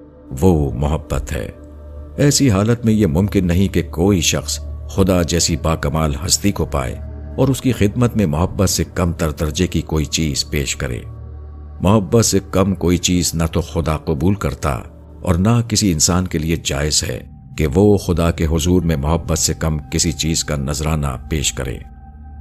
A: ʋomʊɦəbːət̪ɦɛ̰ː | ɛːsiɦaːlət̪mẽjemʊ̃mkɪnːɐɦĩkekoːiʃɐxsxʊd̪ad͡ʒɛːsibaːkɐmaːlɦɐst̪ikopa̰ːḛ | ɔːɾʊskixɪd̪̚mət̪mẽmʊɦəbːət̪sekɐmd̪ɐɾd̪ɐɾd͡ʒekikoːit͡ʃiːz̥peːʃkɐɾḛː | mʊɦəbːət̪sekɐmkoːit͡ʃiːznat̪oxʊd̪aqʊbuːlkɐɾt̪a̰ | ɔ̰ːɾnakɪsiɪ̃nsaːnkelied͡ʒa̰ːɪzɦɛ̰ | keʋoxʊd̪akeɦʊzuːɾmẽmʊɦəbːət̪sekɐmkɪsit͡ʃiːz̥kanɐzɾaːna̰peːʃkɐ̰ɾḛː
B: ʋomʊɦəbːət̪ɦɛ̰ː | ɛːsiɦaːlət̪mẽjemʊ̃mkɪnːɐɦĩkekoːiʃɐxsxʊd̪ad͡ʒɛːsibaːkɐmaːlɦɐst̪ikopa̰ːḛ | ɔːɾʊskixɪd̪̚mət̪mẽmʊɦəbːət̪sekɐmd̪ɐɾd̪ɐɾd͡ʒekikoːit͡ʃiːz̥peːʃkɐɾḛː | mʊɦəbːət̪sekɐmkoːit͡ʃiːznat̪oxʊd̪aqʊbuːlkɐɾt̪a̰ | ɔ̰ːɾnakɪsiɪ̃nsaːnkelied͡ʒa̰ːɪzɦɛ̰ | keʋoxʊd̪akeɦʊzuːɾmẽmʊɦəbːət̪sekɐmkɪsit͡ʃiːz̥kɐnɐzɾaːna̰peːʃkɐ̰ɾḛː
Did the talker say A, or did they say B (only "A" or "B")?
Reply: A